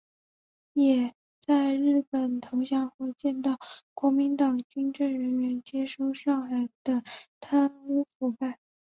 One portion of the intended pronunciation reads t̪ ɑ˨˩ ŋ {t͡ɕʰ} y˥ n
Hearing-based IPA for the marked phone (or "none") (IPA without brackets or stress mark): t͡ɕ